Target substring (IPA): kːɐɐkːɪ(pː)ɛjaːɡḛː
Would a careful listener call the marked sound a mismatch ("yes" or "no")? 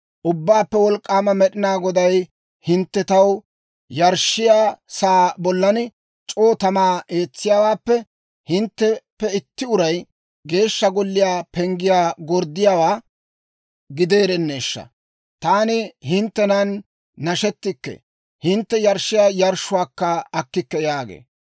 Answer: yes